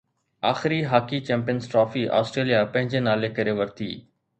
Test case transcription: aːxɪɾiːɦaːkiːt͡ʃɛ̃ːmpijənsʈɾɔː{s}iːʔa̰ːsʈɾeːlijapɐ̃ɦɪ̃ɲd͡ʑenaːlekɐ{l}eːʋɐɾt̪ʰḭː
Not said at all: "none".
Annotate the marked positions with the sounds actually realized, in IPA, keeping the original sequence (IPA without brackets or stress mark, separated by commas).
f, ɾ